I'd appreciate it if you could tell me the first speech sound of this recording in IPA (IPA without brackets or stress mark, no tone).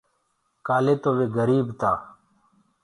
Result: k